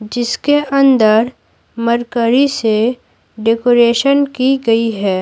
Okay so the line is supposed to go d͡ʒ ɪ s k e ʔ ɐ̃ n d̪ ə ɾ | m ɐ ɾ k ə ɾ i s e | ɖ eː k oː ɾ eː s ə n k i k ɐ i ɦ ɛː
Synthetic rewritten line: d͡ʒ ɪ s k e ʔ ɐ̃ n d̪ ə ɾ | m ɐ ɾ k ə ɾ i s e | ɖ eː k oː ɾ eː ʃ ə n k i ɡ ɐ i ɦ ɛː

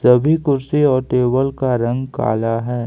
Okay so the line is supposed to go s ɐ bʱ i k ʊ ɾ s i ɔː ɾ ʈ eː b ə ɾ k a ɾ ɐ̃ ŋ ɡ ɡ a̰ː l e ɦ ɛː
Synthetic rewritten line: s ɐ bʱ i k ʊ ɾ s i ɔː ɾ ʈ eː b ə l k a ɾ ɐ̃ ŋ ɡ k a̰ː l a ɦ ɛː

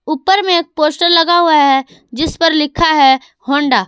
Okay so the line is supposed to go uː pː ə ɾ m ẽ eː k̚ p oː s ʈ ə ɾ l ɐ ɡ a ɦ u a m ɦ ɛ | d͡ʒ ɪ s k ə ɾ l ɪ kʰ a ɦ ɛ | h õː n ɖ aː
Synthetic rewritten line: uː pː ə ɾ m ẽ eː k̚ p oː s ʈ ə ɾ l ɐ ɡ a ɦ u a ɦ ɛ | d͡ʒ ɪ s p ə ɾ l ɪ kʰ a ɦ ɛ | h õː ɳ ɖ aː

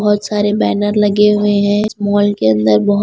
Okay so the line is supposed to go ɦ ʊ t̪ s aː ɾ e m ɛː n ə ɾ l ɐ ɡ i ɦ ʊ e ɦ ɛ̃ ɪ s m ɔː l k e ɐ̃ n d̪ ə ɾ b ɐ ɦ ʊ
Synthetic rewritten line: ɦ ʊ t̪ s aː ɾ e b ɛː n ə ɾ l ɐ ɡ e ɦ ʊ e ɦ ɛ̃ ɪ s m ɔː l k e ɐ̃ n d̪ ə ɾ b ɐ ɦ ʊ

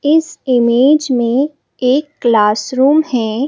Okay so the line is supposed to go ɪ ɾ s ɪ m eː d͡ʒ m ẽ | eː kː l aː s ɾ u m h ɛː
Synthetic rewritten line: ɪ s ɪ m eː d͡ʒ m ẽ | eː kː l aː s ɾ uː m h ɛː

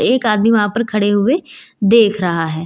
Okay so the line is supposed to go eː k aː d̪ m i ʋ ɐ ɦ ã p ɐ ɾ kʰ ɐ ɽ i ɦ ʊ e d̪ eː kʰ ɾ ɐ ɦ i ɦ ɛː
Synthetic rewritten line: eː k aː d̪ m i ʋ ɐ ɦ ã p ɐ ɾ kʰ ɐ ɽ e ɦ ʊ e d̪ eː kʰ ɾ ɐ ɦ a ɦ ɛː

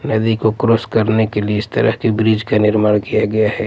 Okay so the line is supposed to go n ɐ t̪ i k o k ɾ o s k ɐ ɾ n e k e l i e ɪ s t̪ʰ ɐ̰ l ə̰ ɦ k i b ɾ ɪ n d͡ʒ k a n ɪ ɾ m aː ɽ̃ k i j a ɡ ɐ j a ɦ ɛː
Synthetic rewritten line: n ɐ d̪ i k o k ɾ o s k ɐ ɾ n e k e l i e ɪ s t̪ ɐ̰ ɾ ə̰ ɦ k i b ɾ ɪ d͡ʒ k a n ɪ ɾ m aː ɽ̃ k i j a ɡ ɐ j a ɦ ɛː

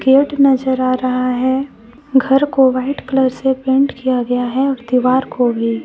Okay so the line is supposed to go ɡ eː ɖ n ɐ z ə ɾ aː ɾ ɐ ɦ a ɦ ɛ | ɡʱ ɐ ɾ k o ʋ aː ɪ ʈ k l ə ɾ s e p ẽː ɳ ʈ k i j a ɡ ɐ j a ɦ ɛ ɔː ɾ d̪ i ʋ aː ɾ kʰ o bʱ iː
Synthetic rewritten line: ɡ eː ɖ n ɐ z ə ɾ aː ɾ ɐ ɦ a ɦ ɛ | ɡʱ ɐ ɾ k o ʋ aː ɪ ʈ k l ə ɾ s e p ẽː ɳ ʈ k i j a ɡ ɐ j a ɦ ɛ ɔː ɾ d̪ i ʋ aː ɾ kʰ o bʱ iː

